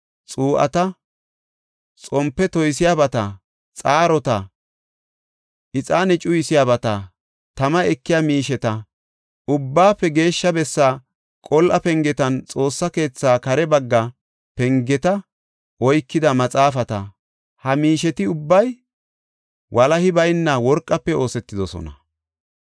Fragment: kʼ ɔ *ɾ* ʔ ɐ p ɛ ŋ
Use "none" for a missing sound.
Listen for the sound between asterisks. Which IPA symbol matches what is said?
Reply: l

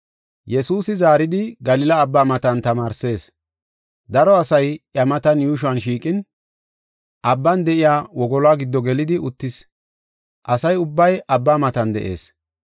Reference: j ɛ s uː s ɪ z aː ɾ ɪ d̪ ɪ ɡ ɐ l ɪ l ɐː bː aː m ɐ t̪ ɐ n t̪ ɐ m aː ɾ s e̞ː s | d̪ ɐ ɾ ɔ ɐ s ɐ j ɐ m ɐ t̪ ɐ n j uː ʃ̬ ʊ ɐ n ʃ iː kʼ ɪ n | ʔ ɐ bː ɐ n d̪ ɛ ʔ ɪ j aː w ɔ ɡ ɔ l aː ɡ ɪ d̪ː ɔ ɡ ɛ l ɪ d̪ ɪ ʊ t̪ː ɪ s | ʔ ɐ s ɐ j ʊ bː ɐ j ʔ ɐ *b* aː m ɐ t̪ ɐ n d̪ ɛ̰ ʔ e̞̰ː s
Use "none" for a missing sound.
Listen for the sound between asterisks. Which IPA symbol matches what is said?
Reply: bː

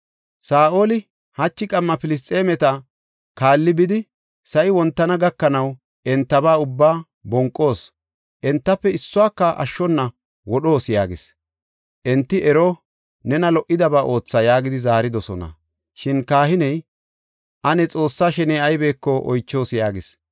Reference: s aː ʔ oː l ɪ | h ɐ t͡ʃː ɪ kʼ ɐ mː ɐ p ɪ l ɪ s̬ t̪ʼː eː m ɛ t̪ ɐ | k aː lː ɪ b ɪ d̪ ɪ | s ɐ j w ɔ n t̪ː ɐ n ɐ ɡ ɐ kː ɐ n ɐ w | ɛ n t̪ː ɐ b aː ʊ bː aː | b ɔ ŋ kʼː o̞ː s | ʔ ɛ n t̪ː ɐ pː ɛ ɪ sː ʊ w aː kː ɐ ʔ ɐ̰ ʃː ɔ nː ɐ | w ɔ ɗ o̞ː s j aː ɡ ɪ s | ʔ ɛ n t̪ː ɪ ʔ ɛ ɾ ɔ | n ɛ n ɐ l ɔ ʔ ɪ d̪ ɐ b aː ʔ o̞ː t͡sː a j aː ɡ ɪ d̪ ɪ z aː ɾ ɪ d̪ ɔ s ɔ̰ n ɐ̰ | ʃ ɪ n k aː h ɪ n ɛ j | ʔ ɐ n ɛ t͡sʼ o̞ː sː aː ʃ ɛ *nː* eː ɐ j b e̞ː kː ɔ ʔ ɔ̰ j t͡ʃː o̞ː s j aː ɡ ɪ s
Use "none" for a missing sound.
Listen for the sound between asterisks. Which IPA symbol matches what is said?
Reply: n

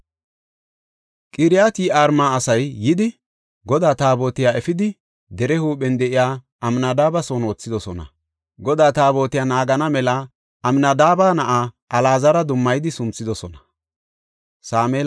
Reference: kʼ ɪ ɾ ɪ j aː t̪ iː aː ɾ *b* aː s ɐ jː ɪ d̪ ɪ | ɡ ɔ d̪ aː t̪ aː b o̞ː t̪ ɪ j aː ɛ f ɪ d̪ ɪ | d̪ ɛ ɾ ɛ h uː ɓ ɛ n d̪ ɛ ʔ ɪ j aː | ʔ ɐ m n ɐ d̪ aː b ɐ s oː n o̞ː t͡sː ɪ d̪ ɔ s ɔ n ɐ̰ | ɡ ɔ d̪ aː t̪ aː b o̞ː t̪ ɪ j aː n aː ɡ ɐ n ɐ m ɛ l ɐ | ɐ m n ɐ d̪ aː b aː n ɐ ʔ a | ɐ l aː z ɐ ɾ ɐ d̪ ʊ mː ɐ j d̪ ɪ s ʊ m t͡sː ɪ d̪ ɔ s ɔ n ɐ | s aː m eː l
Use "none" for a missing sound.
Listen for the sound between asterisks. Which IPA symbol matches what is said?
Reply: m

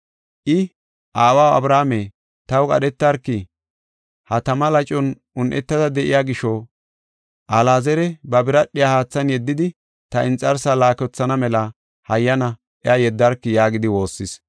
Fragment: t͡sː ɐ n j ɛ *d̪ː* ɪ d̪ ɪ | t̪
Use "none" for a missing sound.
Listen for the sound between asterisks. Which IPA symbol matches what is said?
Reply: d̪ː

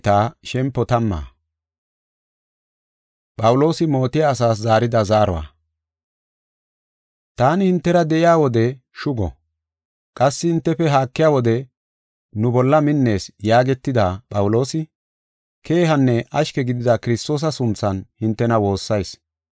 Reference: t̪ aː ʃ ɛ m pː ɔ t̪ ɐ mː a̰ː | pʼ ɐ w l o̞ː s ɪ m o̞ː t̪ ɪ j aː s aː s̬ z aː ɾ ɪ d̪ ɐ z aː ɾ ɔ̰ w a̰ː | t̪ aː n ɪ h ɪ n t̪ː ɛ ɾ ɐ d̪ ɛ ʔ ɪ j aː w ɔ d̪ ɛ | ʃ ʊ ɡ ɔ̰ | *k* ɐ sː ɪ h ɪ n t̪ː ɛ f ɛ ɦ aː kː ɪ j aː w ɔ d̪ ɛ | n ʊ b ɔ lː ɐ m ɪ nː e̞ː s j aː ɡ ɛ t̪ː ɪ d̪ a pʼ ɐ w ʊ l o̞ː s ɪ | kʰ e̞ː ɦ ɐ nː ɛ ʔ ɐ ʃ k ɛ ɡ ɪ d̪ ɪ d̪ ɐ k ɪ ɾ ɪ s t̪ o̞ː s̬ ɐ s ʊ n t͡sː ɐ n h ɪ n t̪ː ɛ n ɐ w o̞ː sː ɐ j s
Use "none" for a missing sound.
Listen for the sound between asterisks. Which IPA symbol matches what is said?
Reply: kʼ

